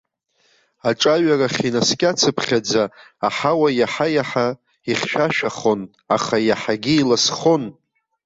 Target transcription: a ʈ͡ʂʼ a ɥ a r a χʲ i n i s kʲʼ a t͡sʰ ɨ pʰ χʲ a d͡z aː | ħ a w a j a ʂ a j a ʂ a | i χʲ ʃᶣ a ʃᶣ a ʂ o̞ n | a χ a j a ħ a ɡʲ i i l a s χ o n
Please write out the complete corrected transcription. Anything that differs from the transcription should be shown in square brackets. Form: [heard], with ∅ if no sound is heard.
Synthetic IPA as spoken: a ʈ͡ʂʼ a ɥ a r a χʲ i n [a] s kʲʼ a t͡sʰ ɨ pʰ χʲ a d͡z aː | ħ a w a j a [ħ] a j a [ħ] a | i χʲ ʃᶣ a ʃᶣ a [χ] o̞ n | a χ a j a ħ a ɡʲ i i l a s χ o n